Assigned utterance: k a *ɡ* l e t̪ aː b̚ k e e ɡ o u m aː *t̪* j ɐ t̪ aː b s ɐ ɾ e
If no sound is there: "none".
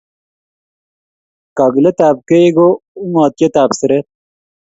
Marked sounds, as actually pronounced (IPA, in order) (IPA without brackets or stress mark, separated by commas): ɡ, t̪